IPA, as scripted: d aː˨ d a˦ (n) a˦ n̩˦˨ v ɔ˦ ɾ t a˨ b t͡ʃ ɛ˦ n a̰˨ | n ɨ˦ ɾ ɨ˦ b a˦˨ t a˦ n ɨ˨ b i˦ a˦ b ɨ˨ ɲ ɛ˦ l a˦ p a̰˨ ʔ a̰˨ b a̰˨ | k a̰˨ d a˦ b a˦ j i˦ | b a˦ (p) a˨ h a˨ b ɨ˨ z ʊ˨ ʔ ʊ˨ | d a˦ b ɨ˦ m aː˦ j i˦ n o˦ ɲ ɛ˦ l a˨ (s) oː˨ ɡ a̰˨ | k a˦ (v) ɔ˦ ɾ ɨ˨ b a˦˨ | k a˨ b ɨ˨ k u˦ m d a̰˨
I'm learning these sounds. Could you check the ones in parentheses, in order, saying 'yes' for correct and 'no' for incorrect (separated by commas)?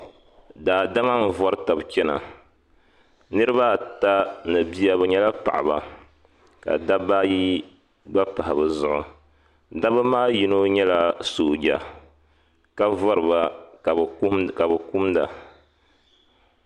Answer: no, yes, yes, yes